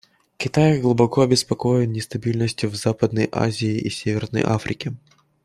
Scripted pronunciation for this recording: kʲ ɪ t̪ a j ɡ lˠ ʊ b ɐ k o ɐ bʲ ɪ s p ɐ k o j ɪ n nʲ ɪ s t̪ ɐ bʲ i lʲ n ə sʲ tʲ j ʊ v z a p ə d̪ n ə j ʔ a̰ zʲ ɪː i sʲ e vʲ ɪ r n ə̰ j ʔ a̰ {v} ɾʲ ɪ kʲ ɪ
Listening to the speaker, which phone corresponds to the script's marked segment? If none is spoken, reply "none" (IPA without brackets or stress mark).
f